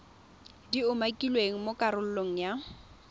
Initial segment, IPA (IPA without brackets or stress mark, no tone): d